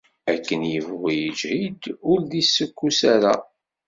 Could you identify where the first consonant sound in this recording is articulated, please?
velar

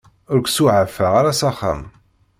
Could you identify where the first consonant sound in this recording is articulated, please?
alveolar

